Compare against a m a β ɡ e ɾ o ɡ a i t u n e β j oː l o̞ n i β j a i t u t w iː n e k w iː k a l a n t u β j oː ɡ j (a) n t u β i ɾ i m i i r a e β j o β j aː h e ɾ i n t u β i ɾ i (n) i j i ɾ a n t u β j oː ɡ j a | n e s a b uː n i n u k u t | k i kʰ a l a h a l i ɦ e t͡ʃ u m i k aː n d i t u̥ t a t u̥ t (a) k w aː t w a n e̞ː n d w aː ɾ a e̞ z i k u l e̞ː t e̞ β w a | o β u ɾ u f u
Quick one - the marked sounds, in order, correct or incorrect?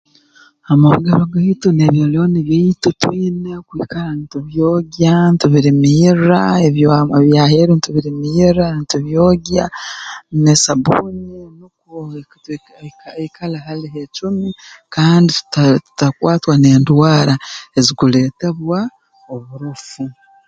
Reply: correct, incorrect: m, correct

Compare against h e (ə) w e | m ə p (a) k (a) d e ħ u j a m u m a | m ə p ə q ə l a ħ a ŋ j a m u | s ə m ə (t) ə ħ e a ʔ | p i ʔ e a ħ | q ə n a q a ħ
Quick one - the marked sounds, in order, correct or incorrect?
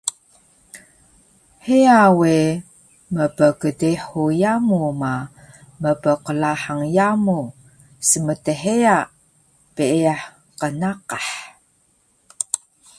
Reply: incorrect: a, incorrect: ə, incorrect: ə, correct

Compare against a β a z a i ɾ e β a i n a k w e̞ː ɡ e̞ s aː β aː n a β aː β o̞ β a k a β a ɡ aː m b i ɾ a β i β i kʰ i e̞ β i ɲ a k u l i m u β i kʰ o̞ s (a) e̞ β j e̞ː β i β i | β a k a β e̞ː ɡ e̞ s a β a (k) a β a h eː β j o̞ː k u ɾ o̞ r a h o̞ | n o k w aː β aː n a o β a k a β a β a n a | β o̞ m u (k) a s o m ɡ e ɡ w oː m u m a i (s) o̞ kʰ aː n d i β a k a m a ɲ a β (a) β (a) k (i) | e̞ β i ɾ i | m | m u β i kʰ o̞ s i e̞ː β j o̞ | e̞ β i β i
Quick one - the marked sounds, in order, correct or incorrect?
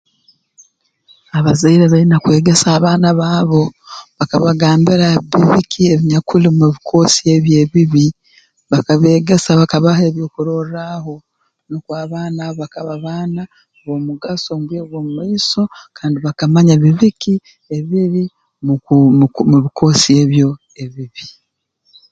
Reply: incorrect: i, correct, incorrect: ɡ, correct, incorrect: i, incorrect: i, correct

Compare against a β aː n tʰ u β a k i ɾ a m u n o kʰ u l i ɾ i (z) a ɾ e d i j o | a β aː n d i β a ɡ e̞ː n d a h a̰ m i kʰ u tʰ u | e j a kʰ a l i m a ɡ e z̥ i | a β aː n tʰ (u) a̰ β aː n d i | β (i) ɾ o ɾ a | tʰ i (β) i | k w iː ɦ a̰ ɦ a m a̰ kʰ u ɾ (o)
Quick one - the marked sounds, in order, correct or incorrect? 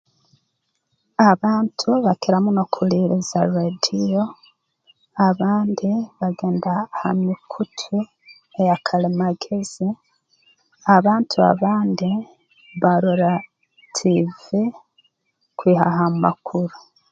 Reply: correct, correct, incorrect: a, incorrect: v, incorrect: u

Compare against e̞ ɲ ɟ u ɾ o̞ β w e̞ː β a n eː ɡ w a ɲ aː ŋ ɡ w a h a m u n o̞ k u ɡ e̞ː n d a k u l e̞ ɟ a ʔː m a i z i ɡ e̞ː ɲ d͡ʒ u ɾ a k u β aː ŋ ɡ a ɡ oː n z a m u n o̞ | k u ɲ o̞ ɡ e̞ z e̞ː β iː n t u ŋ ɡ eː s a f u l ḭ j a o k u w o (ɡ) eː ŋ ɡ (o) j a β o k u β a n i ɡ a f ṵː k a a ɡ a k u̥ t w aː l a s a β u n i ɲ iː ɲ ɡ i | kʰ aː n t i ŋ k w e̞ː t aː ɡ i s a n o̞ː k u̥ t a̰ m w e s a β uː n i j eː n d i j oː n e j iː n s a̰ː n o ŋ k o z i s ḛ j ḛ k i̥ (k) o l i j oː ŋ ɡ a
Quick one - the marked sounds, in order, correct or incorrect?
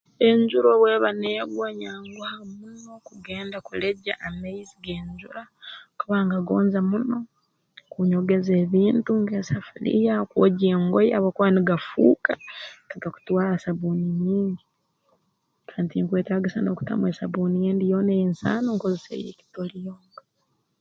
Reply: incorrect: ɟ, correct, incorrect: t

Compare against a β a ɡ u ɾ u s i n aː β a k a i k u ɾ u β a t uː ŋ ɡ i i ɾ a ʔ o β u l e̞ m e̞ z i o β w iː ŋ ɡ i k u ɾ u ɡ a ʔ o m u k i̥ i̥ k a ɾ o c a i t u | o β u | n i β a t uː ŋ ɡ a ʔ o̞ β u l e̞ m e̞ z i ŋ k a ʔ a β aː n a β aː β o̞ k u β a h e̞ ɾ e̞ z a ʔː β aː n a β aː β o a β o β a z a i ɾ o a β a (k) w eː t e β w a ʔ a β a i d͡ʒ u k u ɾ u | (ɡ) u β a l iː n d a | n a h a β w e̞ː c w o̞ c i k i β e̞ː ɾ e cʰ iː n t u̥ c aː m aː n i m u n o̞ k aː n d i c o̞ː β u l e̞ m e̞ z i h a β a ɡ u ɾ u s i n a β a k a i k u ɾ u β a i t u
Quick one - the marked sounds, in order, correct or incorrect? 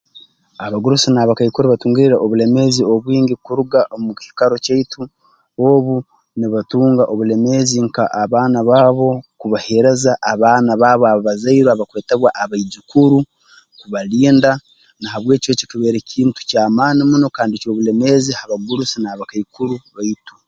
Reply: correct, incorrect: k

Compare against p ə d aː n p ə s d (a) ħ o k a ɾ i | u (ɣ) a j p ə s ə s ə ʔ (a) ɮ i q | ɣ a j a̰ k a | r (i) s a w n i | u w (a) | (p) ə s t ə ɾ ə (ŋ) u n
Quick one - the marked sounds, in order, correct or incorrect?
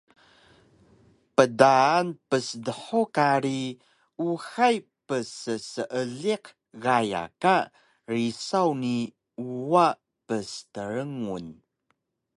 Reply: incorrect: ə, incorrect: x, incorrect: ə, correct, correct, correct, correct

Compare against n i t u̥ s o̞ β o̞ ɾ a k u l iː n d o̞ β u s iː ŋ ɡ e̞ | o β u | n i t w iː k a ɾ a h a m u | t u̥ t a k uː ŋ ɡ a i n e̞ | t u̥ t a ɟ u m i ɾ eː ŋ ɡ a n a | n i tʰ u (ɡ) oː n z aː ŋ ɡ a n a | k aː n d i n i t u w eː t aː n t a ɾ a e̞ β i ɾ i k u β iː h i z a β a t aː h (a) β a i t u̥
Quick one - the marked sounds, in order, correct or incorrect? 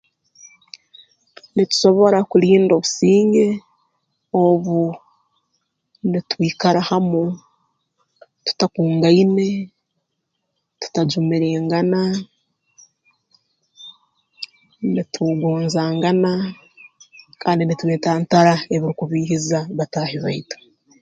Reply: correct, incorrect: i

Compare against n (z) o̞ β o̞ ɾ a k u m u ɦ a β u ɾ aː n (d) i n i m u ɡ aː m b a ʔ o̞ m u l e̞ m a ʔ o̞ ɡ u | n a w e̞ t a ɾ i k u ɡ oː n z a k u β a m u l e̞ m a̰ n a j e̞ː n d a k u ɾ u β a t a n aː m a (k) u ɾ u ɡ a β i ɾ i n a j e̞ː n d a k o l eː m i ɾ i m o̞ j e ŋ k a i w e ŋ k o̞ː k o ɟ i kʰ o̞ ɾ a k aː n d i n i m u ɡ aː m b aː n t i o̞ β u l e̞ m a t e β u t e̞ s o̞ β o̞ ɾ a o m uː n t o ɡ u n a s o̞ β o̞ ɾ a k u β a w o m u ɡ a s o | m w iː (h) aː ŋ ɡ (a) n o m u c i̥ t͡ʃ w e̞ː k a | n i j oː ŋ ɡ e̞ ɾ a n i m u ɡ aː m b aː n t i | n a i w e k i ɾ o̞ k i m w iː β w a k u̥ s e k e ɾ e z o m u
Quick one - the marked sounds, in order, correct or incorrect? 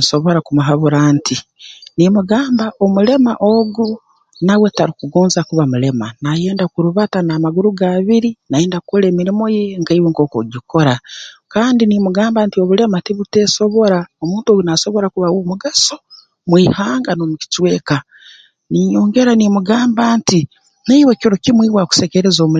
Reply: incorrect: s, incorrect: t, incorrect: ɡ, correct, correct

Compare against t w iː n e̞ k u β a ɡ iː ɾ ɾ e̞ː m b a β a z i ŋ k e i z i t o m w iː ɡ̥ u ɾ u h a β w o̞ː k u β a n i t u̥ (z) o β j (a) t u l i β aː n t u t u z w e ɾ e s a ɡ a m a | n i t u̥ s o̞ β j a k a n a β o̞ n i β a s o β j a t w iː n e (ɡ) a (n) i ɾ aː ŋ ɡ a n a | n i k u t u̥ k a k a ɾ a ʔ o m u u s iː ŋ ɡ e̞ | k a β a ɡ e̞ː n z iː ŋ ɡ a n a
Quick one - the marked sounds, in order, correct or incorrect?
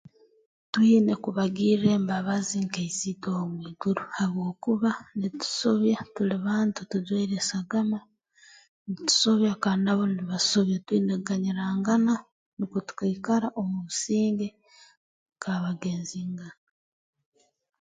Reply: incorrect: s, correct, correct, incorrect: ɲ

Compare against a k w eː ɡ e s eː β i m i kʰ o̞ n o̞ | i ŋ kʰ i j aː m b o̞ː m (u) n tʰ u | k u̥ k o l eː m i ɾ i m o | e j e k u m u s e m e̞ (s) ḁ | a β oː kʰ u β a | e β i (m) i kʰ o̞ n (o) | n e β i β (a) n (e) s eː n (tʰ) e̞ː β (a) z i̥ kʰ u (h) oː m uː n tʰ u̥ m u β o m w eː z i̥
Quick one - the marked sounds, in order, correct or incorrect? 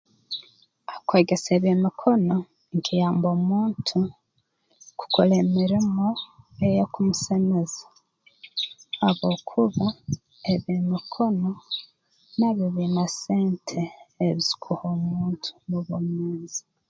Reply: incorrect: uː, incorrect: z, correct, correct, incorrect: i, incorrect: a, correct, incorrect: i, correct

